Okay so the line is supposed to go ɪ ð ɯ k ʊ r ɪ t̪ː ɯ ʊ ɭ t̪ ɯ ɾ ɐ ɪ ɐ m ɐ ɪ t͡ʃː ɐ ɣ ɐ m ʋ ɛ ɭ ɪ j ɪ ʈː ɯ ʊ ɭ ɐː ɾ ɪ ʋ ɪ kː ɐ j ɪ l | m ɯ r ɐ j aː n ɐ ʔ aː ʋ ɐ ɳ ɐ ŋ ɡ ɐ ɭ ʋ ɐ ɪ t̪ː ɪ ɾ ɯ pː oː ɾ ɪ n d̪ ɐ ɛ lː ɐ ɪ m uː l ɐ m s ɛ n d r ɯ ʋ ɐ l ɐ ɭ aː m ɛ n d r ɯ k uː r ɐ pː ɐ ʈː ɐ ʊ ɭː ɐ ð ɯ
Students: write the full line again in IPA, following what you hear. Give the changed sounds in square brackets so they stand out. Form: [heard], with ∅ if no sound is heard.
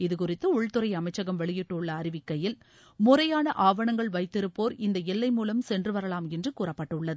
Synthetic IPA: ɪ ð ɯ k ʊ r ɪ t̪ː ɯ ʊ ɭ t̪ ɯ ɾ ɐ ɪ ɐ m ɐ ɪ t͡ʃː ɐ ɣ ɐ m ʋ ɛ ɭ ɪ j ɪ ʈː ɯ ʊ [ɭː] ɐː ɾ ɪ ʋ ɪ kː ɐ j ɪ l | m [ʊ] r ɐ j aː n ɐ ʔ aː ʋ ɐ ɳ ɐ ŋ ɡ ɐ ɭ ʋ ɐ ɪ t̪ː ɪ ɾ ɯ pː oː ɾ ɪ n d̪ ɐ ɛ lː ɐ ɪ m uː l ɐ m s ɛ n d r ɯ ʋ ɐ [ɾ] ɐ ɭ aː m ɛ n d r ɯ k uː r ɐ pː ɐ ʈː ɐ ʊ ɭː ɐ ð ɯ

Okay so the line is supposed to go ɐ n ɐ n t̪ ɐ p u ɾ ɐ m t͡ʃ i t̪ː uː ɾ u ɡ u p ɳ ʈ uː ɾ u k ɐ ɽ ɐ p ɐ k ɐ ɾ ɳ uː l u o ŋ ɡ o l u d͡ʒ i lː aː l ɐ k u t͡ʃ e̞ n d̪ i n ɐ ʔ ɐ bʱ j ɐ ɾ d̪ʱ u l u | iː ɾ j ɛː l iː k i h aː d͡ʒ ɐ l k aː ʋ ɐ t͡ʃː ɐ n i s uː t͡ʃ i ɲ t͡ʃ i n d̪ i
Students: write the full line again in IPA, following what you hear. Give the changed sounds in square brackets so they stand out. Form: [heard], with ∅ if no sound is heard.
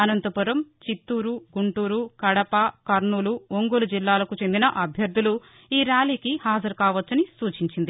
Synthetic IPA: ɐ n ɐ n t̪ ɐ p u ɾ ɐ m t͡ʃ i t̪ː uː ɾ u ɡ u [∅] ɳ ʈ uː ɾ u k ɐ ɽ ɐ p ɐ k ɐ ɾ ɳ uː l u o ŋ ɡ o l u d͡ʒ i lː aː l ɐ k u t͡ʃ e̞ n d̪ i n ɐ ʔ ɐ bʱ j ɐ ɾ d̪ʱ u l u | iː ɾ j [aː] l iː k i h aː d͡ʒ ɐ [ɾ] k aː ʋ ɐ t͡ʃː ɐ n i s uː t͡ʃ i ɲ t͡ʃ i n d̪ i

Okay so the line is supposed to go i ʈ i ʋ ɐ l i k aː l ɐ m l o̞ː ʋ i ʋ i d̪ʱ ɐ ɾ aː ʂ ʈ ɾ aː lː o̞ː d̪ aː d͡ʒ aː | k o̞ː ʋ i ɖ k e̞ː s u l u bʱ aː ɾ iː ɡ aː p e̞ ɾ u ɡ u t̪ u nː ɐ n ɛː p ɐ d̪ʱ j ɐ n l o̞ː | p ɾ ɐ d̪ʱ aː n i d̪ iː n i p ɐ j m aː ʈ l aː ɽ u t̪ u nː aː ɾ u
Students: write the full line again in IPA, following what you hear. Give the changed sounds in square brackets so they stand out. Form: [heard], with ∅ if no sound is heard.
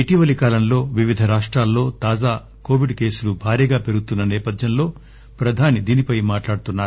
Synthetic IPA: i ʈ i ʋ ɐ l i k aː l ɐ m l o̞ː ʋ i ʋ i d̪ʱ ɐ ɾ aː ʂ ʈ ɾ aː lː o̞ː [t̪] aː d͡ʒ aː | k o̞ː ʋ i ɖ k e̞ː s u l u bʱ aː ɾ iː ɡ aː p e̞ ɾ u ɡ u t̪ u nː ɐ n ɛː p ɐ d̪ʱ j ɐ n l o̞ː | p ɾ ɐ d̪ʱ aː n i d̪ iː n i p ɐ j m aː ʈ l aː ɽ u t̪ u nː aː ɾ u

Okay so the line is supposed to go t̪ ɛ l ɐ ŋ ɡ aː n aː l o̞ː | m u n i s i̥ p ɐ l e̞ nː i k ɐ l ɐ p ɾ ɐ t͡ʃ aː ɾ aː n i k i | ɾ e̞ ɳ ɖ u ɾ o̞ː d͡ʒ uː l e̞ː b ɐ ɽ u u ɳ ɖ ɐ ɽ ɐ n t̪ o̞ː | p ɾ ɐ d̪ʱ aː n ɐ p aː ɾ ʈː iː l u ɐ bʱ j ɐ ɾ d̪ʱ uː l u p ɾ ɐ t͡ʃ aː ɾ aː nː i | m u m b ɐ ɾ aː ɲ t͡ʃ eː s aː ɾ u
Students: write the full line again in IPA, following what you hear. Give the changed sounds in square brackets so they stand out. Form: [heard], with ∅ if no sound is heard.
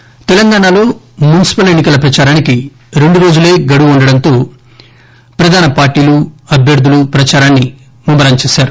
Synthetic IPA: t̪ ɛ l ɐ ŋ ɡ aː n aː l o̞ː | m u n i s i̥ p ɐ l e̞ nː i k ɐ l ɐ p ɾ ɐ t͡ʃ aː ɾ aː n i k i | ɾ e̞ ɳ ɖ u ɾ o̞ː d͡ʒ [u] l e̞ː [ɡ] ɐ ɽ u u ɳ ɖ ɐ ɽ ɐ n t̪ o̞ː | p ɾ ɐ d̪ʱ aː n ɐ p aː ɾ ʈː iː l u ɐ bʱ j ɐ ɾ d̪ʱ [u] l u p ɾ ɐ t͡ʃ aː ɾ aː nː i | m u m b ɐ ɾ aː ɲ t͡ʃ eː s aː ɾ u

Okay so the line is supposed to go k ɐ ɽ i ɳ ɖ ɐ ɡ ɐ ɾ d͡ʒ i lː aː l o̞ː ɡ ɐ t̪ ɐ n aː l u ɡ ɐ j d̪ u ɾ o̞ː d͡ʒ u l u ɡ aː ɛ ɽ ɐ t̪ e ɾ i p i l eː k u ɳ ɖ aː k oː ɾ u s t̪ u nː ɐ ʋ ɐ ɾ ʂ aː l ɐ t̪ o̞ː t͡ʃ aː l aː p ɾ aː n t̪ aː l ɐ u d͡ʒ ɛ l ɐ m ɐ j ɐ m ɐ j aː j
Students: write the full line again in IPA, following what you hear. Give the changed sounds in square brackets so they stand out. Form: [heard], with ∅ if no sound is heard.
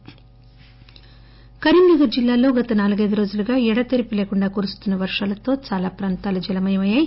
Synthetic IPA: k ɐ [ɾ] i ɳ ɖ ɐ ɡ ɐ ɾ d͡ʒ i lː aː l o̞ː ɡ ɐ t̪ ɐ n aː l u ɡ ɐ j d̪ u ɾ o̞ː d͡ʒ u l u ɡ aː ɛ ɽ ɐ t̪ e ɾ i p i l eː k u ɳ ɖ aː k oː ɾ u s t̪ u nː ɐ ʋ ɐ ɾ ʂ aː l ɐ t̪ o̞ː t͡ʃ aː l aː p ɾ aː n t̪ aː l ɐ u d͡ʒ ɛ l ɐ m ɐ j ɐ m ɐ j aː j

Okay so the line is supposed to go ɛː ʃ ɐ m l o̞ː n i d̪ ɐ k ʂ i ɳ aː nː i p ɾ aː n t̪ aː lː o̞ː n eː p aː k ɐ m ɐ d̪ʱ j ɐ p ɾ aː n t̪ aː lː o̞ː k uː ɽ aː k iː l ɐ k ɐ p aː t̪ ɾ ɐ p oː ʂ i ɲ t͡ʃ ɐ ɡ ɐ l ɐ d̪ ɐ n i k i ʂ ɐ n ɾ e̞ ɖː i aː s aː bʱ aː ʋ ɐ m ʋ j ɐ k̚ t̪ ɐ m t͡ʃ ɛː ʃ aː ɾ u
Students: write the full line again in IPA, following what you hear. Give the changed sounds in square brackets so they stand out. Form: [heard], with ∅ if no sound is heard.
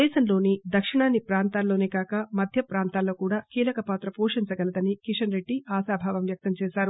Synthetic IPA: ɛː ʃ ɐ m l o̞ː n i d̪ ɐ k ʂ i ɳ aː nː i p ɾ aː n t̪ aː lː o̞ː n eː [k] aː k ɐ m ɐ d̪ʱ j ɐ p ɾ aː n t̪ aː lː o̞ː k uː ɽ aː k iː l ɐ k ɐ p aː t̪ ɾ ɐ p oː ʂ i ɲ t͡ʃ ɐ ɡ ɐ l ɐ d̪ ɐ n i k i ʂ ɐ n ɾ e̞ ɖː i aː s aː bʱ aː ʋ ɐ m ʋ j ɐ k̚ t̪ ɐ m t͡ʃ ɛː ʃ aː ɾ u

